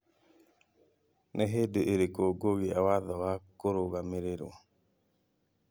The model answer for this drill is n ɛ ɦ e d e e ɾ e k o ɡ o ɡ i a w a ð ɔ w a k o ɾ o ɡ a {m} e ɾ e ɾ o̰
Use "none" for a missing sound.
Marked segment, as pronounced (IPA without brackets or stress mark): m